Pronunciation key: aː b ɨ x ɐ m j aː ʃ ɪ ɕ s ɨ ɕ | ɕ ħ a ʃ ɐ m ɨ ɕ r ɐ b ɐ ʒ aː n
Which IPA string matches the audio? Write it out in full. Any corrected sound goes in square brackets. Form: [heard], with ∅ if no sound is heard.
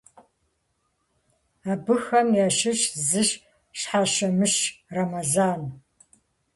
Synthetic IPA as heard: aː b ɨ x ɐ m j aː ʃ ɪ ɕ [z] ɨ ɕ | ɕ ħ a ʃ ɐ m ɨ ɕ r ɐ [m] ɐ [z] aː n